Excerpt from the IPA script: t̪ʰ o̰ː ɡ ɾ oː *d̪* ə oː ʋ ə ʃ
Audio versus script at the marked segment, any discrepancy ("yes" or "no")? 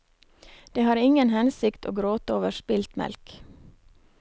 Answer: yes